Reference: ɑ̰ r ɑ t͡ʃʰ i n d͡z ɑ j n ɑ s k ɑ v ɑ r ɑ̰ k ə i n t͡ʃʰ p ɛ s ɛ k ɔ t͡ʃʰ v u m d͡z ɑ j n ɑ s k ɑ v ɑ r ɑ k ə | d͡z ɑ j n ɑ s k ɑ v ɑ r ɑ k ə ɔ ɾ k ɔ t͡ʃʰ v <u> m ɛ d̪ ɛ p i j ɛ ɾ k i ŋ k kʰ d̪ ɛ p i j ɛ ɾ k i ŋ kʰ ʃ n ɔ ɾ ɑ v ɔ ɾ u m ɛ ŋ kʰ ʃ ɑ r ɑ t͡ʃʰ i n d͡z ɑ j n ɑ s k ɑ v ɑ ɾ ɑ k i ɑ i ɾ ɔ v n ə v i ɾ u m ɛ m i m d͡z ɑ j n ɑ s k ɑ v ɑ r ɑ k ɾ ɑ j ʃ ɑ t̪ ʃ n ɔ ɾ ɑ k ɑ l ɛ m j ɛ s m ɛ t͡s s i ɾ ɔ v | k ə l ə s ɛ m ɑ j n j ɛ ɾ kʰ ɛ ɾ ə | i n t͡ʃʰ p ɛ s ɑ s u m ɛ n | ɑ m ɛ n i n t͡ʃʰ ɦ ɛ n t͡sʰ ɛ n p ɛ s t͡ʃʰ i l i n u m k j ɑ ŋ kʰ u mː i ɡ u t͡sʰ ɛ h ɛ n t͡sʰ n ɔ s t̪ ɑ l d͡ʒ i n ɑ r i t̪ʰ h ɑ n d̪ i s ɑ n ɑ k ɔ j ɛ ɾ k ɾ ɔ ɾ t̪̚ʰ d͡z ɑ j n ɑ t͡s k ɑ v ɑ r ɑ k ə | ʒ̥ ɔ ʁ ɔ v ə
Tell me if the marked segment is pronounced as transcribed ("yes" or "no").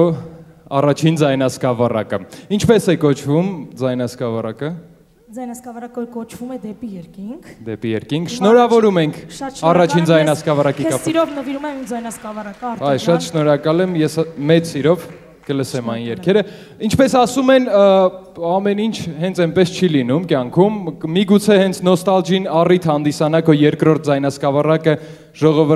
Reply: yes